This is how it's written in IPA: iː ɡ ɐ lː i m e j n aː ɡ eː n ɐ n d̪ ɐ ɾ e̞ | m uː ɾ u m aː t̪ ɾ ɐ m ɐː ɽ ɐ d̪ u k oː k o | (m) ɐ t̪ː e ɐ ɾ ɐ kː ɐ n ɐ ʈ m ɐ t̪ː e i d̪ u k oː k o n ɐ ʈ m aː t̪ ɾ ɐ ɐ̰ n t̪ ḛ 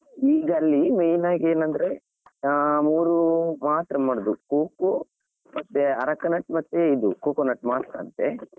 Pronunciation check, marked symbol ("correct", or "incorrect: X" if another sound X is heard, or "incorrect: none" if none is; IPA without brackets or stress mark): correct